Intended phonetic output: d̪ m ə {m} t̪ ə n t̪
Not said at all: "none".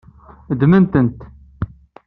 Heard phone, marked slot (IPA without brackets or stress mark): n